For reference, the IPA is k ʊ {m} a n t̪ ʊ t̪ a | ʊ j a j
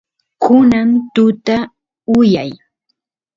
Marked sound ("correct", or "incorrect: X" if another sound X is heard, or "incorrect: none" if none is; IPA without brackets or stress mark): incorrect: n